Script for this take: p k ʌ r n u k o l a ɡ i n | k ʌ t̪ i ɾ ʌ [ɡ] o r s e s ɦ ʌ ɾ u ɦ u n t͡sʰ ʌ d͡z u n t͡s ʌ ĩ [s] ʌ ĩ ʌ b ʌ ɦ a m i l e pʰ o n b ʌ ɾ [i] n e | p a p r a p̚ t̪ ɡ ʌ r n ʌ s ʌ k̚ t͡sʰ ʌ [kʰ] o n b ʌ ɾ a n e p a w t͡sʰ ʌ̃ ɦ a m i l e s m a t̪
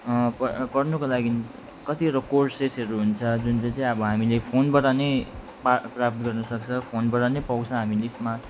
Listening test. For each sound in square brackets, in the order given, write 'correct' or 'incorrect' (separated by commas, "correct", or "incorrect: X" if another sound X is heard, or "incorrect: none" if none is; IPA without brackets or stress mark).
incorrect: k, incorrect: t͡s, incorrect: a, incorrect: pʰ